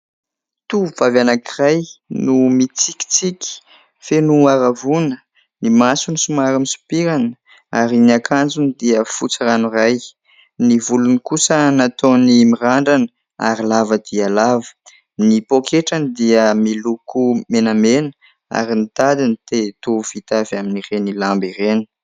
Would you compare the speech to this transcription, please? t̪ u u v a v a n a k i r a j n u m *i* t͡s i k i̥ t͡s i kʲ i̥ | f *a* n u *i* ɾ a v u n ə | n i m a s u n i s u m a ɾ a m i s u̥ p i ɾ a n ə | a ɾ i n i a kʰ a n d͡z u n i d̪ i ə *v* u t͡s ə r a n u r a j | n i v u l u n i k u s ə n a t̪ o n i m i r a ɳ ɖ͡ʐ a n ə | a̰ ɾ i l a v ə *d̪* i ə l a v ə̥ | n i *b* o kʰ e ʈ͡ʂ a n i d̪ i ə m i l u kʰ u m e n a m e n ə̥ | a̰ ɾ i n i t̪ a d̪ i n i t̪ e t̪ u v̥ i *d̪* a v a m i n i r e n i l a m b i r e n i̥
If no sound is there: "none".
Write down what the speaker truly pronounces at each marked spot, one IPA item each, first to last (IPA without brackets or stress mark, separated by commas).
i, e, a, f, d̪, p, t̪